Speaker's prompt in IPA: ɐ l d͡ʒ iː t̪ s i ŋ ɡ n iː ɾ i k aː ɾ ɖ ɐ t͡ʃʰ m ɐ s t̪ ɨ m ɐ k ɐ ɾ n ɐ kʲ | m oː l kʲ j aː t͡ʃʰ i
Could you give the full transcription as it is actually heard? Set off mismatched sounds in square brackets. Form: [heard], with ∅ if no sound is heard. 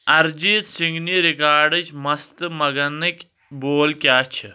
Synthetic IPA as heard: ɐ [ɾ] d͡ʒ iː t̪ s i ŋ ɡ n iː ɾ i k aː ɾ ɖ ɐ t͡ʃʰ m ɐ s t̪ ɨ m ɐ [ɡ] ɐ [∅] n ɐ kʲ | [b] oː l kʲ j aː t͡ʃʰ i